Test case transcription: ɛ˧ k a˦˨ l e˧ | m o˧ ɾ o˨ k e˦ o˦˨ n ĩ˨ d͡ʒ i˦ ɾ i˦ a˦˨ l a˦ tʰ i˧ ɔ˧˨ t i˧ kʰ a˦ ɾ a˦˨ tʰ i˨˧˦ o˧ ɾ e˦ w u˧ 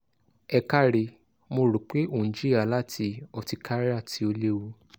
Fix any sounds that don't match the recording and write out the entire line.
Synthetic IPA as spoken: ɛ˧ k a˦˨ ɾ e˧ | m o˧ ɾ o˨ k͡p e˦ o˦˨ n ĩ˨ d͡ʒ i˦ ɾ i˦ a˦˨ l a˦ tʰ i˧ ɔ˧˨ t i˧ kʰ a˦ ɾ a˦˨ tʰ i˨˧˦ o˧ l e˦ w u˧